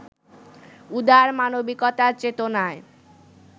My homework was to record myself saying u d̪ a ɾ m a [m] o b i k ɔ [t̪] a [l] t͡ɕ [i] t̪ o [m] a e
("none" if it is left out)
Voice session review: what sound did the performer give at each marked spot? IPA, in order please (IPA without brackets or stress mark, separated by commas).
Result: n, t̪, ɾ, e, n